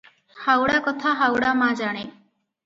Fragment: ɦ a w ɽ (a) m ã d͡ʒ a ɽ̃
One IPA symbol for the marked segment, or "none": a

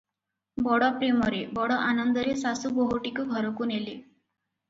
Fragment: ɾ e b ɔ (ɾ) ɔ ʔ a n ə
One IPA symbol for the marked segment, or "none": ɽ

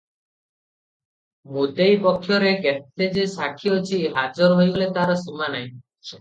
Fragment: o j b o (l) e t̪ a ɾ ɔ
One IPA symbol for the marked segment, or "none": l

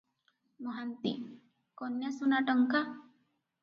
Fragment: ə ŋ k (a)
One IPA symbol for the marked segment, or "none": a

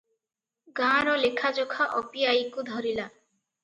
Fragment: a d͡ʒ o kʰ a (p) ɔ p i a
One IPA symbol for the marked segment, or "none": ʔ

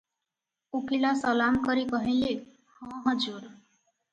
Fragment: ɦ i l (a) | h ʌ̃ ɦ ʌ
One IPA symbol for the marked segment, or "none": e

